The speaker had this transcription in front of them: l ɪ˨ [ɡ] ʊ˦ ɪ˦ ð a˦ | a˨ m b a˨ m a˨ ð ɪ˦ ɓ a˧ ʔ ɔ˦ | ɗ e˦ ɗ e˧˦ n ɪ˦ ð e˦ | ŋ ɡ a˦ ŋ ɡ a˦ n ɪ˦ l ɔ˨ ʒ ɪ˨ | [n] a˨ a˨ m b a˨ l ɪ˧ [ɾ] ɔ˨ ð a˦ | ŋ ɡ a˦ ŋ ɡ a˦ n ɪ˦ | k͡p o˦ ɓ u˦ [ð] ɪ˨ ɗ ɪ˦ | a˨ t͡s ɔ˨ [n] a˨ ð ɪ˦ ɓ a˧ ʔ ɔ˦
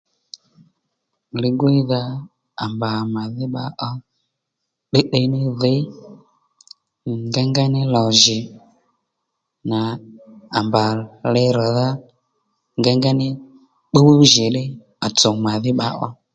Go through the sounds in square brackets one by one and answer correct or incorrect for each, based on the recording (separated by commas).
correct, correct, correct, incorrect, incorrect